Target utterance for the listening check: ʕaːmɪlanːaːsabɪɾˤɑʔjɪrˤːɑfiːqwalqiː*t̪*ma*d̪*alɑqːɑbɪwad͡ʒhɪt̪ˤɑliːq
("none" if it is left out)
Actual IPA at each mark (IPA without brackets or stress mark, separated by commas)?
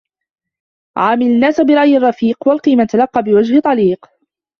none, t̪